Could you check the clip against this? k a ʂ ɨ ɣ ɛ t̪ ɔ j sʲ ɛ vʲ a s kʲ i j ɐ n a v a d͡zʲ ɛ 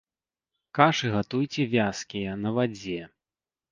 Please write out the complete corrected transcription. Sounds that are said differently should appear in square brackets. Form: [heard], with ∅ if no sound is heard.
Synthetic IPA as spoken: k a ʂ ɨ ɣ [a] t̪ [u] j [t͡sʲ] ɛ vʲ a s kʲ i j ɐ n [ɐ] v a d͡zʲ ɛ